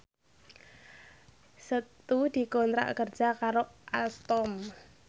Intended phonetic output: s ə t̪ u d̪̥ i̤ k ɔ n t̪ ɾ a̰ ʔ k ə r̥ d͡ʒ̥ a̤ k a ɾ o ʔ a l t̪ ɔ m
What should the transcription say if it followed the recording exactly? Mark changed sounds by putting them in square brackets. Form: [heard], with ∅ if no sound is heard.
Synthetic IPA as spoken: s ə t̪ u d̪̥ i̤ k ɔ n t̪ ɾ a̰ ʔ k ə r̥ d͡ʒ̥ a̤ k a ɾ o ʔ a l t̪ ɔ m